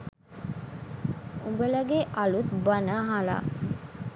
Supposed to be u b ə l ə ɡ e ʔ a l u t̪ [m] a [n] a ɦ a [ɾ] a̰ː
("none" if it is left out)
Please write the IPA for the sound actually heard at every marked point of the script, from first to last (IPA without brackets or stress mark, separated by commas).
b, n, l